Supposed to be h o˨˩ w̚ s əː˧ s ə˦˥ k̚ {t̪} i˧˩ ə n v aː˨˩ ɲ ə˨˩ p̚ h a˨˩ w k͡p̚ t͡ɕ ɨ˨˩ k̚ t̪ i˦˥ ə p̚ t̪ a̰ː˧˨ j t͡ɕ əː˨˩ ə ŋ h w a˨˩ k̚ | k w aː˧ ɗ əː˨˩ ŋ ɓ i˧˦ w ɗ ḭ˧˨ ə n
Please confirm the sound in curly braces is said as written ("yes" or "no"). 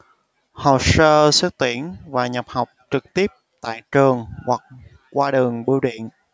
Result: yes